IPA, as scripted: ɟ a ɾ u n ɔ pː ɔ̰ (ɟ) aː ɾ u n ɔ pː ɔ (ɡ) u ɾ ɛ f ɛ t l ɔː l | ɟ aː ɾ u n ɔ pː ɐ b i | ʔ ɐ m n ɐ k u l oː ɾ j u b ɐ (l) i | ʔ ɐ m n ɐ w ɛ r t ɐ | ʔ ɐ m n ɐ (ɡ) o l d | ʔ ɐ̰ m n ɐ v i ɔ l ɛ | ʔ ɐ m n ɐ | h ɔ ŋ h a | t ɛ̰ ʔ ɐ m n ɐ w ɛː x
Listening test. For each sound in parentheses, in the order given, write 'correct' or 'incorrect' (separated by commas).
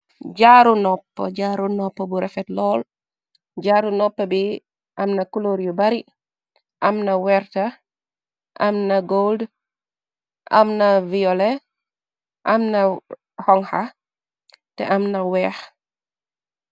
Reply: correct, incorrect, incorrect, correct